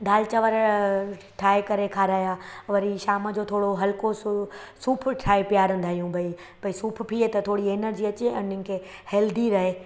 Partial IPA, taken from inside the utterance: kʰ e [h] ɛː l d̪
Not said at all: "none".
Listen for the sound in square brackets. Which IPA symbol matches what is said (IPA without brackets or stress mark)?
h